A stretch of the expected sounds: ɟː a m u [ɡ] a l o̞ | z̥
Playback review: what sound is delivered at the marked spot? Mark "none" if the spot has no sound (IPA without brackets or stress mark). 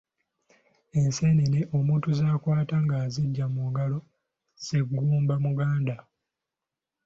ɡ